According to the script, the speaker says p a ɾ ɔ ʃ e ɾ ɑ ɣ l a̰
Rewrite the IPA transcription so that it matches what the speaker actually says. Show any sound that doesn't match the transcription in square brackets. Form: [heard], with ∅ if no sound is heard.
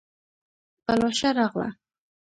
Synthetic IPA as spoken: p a [l] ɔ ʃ [a] ɾ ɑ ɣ l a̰